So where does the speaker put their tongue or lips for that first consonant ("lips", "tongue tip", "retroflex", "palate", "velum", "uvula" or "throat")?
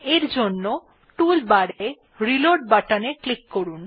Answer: tongue tip